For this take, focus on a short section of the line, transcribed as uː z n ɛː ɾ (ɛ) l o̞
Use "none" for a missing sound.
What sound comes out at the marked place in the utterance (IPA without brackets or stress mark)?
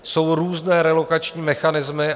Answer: ɛ